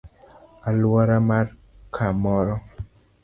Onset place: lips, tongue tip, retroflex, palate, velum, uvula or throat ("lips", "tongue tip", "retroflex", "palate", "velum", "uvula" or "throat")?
tongue tip